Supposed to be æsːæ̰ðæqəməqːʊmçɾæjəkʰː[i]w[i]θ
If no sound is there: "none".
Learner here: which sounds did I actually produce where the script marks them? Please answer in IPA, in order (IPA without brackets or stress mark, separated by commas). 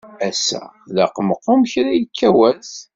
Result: æ, æ